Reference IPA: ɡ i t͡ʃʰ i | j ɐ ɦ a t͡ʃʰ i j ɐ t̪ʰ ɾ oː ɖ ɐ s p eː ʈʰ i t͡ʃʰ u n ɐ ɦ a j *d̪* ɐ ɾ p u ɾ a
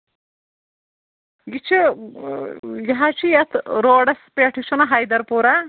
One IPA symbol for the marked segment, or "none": d̪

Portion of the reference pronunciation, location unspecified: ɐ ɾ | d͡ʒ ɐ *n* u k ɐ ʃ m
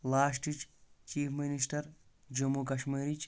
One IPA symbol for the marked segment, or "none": m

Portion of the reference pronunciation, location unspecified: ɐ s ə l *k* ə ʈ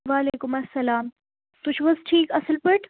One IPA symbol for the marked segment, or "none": p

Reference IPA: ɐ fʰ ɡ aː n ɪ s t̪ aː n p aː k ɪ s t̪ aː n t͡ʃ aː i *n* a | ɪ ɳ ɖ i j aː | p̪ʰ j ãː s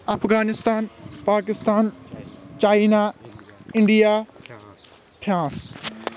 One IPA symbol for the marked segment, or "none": n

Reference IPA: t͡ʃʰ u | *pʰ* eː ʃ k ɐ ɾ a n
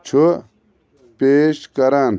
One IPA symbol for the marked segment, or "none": p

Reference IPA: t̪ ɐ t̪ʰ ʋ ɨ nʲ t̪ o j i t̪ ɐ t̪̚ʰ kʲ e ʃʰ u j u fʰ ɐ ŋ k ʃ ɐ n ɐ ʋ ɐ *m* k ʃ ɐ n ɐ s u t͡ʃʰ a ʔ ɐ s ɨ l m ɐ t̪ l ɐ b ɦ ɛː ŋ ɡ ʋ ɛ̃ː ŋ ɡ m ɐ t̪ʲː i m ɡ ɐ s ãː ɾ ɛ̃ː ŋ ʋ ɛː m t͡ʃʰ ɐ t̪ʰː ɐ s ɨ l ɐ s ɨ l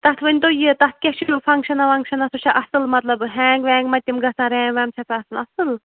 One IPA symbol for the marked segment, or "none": ŋ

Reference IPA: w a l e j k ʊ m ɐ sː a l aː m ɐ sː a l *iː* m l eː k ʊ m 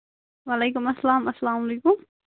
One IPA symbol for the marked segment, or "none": aː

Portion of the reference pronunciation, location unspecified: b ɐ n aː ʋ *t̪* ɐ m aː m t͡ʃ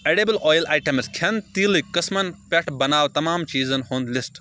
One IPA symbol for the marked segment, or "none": t̪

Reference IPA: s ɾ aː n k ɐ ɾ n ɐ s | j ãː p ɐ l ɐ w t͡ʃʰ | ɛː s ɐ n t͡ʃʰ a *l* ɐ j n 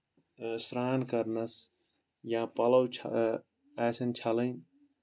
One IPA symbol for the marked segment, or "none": l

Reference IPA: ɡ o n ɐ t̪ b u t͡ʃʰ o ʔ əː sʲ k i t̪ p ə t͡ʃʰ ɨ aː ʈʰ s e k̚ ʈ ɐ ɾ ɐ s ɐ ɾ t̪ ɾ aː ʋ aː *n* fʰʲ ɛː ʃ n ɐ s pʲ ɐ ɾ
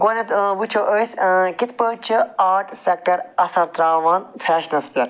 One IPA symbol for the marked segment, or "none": n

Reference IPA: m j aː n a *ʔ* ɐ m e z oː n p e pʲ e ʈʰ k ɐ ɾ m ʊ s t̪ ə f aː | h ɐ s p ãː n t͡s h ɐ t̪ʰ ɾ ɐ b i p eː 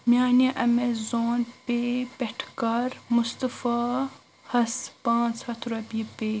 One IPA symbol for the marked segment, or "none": ʔ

